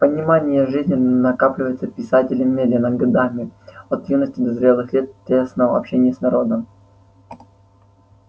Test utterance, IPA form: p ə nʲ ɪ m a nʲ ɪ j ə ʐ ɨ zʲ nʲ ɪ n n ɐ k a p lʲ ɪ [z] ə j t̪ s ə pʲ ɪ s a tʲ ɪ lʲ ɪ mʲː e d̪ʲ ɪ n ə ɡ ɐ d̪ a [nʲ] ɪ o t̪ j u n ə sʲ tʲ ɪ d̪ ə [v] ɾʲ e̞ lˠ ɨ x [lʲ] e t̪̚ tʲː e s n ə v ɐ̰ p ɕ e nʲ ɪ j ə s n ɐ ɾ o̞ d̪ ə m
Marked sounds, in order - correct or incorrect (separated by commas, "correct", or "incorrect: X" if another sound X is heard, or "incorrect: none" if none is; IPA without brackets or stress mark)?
incorrect: v, incorrect: mʲ, incorrect: z, correct